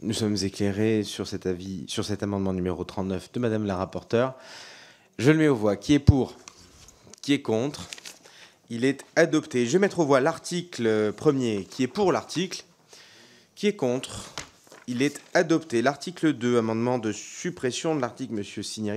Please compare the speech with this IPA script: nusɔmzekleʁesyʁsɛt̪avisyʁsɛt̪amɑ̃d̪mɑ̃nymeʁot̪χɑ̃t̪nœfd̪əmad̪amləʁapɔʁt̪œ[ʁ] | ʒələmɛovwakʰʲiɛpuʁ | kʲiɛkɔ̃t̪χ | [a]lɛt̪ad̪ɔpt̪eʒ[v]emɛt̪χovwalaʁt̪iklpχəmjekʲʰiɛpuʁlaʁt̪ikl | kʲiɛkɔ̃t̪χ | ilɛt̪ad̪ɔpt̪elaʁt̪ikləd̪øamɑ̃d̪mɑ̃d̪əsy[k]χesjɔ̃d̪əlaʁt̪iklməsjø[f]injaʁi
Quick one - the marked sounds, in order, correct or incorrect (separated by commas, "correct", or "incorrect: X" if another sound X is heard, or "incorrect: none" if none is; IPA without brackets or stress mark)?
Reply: correct, incorrect: i, correct, incorrect: p, incorrect: s